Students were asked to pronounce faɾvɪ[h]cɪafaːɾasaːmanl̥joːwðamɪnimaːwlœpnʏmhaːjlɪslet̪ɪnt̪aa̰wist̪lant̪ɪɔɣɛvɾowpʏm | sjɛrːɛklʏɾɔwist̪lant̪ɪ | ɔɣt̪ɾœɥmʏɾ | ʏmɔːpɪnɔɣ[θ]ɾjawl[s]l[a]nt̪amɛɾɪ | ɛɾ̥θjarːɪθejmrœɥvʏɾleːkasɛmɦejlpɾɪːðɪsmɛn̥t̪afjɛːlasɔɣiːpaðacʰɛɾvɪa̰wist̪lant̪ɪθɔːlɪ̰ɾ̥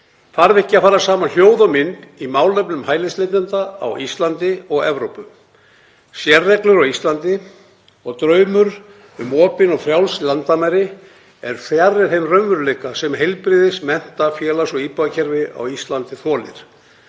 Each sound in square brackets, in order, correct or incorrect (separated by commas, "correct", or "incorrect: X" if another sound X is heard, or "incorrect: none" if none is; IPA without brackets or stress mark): correct, incorrect: f, correct, correct